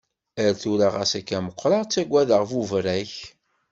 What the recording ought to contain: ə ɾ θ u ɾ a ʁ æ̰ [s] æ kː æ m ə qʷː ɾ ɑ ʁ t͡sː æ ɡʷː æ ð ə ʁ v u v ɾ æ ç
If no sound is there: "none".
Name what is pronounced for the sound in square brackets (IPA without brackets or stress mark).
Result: s